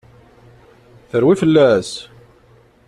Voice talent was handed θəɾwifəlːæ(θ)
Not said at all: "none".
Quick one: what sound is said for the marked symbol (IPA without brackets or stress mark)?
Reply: s